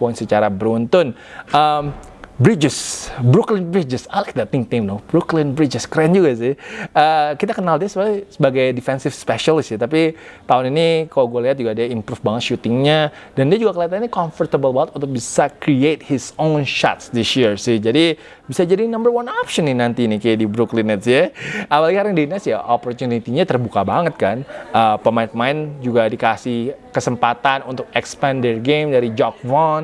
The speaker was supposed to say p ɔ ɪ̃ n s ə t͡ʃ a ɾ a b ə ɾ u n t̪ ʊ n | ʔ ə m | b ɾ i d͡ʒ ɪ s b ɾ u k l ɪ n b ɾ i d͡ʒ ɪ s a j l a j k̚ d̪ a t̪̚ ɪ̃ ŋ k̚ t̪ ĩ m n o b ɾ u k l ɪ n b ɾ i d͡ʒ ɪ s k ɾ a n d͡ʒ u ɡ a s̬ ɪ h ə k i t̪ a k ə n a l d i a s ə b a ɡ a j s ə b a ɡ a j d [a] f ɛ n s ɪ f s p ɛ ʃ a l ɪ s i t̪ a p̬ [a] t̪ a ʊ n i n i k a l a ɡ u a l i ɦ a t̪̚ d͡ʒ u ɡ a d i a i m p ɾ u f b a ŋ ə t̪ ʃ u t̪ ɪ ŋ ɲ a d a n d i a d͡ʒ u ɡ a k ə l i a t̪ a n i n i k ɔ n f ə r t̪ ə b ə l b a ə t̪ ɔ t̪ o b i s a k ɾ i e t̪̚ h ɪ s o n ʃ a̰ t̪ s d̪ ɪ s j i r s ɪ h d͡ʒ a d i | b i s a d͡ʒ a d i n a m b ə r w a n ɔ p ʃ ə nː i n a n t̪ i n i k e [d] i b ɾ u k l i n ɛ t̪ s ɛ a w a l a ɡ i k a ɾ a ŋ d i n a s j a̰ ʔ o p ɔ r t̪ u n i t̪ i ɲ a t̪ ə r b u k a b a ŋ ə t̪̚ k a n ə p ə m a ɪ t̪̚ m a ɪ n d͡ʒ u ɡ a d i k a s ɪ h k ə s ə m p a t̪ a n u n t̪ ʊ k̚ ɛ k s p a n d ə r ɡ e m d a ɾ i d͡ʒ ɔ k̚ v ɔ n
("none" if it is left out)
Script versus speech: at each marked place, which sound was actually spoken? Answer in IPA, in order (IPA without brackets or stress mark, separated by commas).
i, i, d